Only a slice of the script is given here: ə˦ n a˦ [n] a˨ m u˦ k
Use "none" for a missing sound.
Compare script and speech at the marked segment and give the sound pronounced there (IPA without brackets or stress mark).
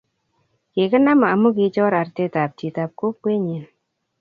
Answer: m